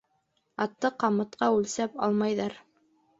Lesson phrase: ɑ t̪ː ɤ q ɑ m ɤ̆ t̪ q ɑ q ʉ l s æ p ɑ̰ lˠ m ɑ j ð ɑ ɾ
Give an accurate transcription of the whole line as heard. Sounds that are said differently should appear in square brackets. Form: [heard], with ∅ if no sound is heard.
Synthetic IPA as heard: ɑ t̪ː ɤ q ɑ m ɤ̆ t̪ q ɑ [∅] ʉ l s æ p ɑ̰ lˠ m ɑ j ð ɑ ɾ